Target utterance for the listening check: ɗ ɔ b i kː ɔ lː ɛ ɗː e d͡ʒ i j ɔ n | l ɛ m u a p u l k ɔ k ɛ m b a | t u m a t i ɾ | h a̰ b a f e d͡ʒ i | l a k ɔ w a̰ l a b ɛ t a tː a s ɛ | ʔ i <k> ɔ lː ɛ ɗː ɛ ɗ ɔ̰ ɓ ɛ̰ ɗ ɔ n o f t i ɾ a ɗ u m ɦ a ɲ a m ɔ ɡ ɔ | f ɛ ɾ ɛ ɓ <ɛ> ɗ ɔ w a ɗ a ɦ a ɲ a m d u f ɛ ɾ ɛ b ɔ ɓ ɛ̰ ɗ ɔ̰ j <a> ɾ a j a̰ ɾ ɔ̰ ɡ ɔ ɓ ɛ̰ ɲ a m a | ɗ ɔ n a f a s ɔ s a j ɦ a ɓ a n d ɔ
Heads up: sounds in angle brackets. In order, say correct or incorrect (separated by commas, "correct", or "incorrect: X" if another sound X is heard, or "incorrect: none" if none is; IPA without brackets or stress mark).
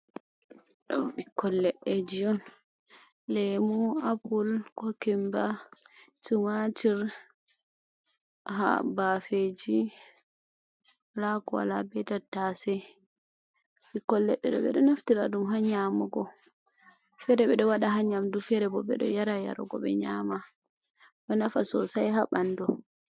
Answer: correct, correct, correct